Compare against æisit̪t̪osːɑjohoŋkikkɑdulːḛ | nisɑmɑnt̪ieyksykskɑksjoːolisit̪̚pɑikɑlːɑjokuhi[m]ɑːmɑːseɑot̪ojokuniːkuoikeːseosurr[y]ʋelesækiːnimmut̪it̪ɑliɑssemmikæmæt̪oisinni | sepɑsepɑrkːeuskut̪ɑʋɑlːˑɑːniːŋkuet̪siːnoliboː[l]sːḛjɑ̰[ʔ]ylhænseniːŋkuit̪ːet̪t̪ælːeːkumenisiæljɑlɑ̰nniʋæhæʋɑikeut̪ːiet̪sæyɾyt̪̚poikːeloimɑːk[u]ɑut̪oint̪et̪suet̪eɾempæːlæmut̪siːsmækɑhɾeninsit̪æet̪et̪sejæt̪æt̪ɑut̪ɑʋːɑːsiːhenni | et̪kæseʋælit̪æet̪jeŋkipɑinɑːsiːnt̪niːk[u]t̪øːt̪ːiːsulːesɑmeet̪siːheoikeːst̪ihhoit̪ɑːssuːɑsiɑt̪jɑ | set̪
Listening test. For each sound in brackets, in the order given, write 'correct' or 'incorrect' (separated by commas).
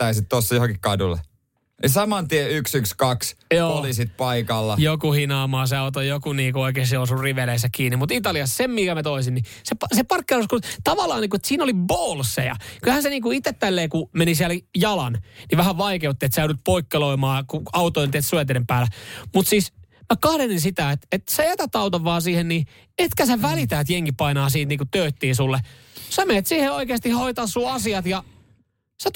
incorrect, incorrect, correct, incorrect, correct, correct